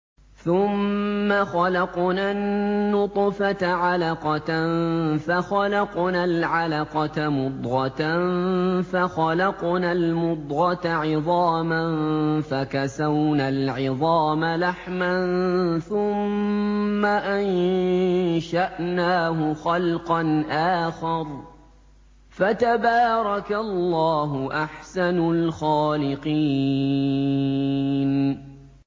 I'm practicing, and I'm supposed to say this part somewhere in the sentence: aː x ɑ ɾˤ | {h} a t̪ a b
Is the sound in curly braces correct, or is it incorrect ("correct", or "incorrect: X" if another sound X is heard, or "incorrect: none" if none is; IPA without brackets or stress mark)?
incorrect: f